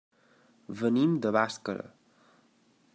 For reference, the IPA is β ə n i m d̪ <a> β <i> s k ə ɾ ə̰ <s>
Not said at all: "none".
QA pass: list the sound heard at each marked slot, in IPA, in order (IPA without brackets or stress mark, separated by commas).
ə, a, none